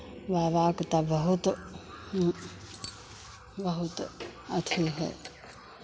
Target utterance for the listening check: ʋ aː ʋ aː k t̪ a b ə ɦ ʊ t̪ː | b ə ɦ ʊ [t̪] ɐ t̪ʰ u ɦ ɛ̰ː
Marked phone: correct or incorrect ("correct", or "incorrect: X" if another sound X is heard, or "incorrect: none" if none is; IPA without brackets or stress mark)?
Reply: correct